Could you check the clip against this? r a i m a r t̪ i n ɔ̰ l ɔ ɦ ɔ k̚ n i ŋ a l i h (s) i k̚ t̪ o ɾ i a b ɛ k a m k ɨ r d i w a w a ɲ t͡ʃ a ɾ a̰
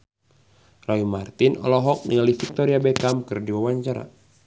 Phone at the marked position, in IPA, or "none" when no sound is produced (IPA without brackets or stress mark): f